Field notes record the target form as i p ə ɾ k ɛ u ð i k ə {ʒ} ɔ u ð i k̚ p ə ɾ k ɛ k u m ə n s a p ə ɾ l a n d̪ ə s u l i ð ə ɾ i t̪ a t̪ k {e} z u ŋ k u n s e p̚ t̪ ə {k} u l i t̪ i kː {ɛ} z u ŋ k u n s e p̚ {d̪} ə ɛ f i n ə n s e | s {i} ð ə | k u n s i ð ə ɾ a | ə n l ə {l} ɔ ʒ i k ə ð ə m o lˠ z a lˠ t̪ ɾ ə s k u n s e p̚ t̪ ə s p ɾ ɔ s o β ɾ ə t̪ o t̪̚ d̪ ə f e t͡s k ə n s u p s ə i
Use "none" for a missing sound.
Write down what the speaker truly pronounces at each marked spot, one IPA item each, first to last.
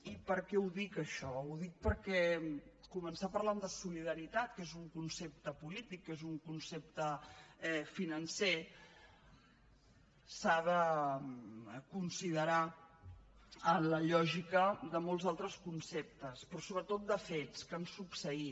ʃ, e, p, e, t̪, a, ʎ

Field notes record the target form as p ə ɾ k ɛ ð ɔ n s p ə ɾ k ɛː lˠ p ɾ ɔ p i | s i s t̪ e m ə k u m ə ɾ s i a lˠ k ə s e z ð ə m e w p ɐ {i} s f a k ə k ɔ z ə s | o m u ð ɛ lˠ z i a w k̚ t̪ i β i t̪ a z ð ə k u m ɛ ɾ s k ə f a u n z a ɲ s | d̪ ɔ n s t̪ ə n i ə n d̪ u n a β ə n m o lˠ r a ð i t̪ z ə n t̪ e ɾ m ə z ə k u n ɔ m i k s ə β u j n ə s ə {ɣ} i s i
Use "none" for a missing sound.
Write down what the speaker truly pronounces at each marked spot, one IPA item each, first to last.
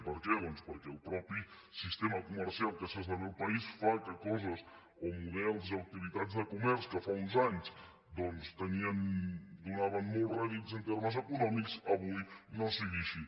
i, ɣ

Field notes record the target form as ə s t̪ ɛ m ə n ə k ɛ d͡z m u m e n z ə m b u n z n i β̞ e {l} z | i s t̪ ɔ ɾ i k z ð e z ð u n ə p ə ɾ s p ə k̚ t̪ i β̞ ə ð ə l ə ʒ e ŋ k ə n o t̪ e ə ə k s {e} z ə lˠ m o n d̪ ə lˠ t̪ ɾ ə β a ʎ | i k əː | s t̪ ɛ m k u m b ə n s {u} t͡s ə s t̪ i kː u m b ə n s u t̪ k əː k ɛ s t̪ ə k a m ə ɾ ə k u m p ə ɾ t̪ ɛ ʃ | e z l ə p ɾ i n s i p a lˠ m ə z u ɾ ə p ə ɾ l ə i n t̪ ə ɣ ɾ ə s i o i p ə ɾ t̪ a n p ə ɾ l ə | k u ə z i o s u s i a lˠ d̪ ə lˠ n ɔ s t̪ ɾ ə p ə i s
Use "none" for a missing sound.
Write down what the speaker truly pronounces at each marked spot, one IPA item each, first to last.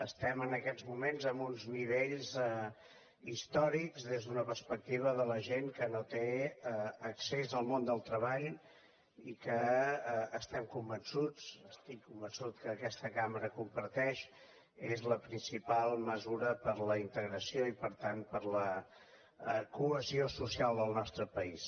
ʎ, e, u

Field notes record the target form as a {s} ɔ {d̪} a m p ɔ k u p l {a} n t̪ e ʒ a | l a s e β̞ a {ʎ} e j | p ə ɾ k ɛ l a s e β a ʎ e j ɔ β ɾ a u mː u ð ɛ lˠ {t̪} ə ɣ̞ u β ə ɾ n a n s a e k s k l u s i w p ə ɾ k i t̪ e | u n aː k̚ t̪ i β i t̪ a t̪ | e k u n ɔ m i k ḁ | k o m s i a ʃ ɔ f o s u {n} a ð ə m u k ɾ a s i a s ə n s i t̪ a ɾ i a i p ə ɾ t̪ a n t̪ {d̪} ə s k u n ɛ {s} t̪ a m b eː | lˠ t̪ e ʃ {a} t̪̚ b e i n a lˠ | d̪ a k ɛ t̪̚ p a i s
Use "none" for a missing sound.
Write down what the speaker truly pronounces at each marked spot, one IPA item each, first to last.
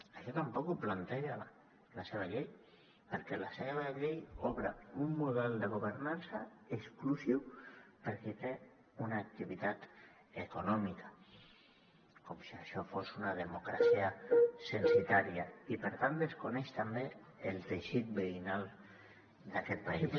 ʃ, t̪, a, ʎ, d̪, n, d̪, ʃ, i

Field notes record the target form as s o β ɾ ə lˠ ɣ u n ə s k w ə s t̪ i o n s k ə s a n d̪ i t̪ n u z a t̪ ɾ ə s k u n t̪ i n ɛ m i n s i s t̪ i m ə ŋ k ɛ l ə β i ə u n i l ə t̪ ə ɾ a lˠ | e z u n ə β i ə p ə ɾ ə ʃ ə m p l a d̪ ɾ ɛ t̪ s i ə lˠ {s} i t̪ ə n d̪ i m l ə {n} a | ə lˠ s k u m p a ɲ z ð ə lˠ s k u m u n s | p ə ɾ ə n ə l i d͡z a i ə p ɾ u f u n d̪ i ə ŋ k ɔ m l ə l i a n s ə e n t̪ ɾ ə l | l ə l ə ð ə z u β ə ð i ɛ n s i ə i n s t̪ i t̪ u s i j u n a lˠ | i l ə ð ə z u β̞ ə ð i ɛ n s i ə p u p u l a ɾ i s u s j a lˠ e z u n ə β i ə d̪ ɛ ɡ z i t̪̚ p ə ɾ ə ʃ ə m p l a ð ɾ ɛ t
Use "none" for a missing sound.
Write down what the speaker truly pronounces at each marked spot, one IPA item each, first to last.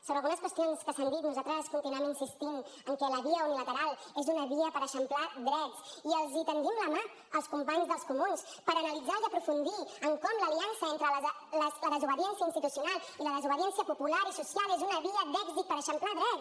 z, m

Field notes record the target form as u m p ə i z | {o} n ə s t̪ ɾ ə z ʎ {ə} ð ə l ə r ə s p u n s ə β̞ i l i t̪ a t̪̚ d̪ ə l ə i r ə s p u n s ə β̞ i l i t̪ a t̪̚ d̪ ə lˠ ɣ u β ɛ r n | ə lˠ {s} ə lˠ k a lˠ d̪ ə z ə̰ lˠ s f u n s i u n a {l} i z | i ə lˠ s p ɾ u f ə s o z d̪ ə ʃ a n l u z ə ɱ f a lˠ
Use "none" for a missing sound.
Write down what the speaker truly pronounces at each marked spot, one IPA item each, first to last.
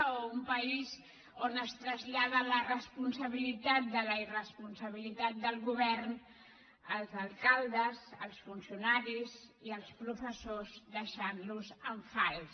o, a, z, ɾ

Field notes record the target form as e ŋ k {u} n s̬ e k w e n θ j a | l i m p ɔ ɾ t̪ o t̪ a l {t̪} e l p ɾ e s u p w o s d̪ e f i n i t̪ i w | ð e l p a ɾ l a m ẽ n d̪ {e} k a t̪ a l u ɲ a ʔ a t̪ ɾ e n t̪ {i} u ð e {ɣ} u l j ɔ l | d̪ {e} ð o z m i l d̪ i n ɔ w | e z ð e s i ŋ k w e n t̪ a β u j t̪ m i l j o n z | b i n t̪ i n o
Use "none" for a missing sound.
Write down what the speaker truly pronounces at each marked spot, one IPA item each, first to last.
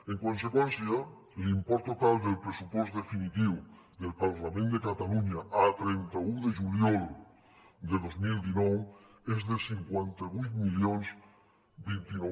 o, d̪, e, a, ʒ, e

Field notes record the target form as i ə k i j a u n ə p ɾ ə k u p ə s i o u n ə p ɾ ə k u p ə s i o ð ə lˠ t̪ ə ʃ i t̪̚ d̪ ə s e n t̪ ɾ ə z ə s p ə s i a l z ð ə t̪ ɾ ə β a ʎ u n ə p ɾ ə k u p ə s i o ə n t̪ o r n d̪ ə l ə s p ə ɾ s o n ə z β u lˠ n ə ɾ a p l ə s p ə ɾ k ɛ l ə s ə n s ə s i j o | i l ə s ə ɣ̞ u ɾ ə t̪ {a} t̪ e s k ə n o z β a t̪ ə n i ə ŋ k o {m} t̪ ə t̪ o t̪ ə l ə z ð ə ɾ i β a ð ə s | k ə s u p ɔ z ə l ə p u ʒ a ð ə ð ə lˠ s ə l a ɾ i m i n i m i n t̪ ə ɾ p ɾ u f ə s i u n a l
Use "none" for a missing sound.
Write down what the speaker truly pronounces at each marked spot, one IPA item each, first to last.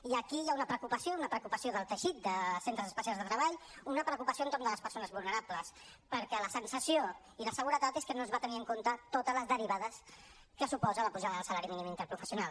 a, n

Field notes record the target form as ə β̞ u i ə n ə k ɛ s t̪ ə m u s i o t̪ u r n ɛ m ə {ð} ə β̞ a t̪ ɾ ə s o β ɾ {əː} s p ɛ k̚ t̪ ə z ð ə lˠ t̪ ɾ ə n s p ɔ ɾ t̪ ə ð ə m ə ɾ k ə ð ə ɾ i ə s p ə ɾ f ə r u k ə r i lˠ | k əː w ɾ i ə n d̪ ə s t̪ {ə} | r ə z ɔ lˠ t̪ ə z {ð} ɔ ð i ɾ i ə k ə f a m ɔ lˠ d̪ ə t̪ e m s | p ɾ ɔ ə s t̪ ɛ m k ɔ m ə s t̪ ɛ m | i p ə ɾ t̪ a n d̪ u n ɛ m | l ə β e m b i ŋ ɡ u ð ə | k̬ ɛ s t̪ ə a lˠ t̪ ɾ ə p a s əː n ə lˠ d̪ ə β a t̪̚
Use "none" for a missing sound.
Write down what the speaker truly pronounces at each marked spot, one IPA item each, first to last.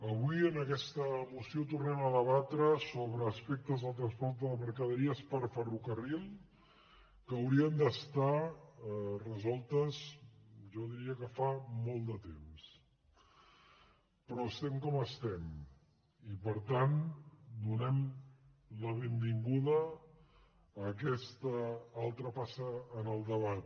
ð, əː, a, ʒ

